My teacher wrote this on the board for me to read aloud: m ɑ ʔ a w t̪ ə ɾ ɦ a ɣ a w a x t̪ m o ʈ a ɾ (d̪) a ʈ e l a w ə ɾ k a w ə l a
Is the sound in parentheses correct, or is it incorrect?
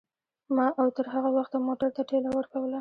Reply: incorrect